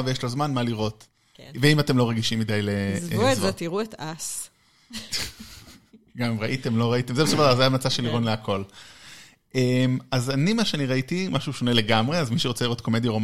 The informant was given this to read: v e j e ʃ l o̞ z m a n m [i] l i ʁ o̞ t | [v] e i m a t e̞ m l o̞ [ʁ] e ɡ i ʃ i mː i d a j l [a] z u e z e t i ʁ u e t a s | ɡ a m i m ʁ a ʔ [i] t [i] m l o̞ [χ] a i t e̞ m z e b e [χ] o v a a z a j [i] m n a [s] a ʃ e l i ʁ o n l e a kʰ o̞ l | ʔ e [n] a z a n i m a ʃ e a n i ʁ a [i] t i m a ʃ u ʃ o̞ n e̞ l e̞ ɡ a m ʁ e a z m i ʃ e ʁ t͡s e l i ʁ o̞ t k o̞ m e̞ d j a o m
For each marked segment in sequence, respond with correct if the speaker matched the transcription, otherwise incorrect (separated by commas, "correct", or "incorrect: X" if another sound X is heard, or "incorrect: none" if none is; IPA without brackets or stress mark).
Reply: incorrect: a, correct, correct, incorrect: e, correct, incorrect: e, incorrect: ʁ, incorrect: s, incorrect: a, incorrect: t͡s, incorrect: m, correct